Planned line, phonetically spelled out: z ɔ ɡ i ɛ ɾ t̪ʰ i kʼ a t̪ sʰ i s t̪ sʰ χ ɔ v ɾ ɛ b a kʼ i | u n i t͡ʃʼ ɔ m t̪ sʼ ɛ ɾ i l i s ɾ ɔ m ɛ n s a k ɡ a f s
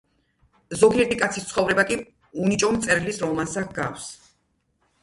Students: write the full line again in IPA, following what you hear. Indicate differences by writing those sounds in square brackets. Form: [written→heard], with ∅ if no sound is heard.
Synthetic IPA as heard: z ɔ ɡ i ɛ ɾ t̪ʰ i kʼ a t̪ sʰ i s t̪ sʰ χ ɔ v ɾ ɛ b a kʼ i | u n i t͡ʃʼ ɔ m t̪ sʼ ɛ ɾ i l i s ɾ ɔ m [ɛ→a] n s a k ɡ a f s